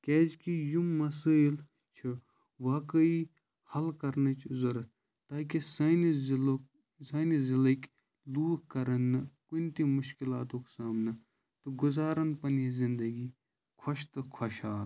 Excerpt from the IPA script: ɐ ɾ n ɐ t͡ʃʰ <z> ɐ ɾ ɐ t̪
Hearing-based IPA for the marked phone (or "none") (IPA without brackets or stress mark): z